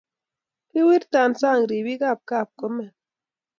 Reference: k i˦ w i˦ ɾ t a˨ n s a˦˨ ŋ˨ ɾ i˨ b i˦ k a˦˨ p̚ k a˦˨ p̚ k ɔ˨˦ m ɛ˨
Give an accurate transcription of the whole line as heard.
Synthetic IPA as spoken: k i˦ w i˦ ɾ t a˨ n s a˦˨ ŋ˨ ɾ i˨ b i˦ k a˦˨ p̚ k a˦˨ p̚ k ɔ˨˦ m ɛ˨